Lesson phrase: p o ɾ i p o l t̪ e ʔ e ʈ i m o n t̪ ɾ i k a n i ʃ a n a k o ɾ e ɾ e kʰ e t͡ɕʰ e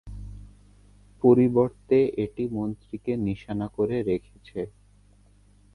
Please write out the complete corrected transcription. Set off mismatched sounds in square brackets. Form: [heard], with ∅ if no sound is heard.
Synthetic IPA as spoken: p o ɾ i [b] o [ɾ] t̪ e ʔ e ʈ i m o n t̪ ɾ i k [e] n i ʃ a n a k o ɾ e ɾ e kʰ e t͡ɕʰ e